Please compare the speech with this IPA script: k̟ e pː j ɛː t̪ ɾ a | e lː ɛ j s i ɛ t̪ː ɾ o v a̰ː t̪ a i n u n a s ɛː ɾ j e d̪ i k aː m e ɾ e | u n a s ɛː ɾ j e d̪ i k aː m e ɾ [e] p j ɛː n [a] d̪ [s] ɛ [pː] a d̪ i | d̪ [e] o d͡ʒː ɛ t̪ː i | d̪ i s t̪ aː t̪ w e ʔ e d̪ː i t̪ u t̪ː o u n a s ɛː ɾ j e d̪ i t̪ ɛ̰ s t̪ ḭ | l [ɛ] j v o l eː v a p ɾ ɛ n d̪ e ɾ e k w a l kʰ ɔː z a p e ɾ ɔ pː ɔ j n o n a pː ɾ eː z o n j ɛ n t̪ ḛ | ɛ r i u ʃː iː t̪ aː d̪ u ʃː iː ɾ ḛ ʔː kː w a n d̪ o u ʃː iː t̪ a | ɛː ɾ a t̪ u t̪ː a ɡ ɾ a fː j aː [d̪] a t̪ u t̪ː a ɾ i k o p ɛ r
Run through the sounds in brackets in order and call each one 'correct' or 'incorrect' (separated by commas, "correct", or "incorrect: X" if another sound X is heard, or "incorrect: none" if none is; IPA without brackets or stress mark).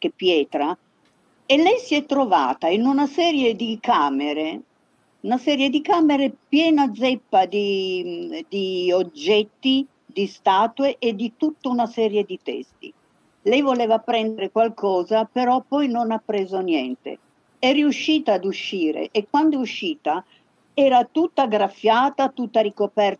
correct, correct, incorrect: z, correct, incorrect: i, correct, incorrect: t̪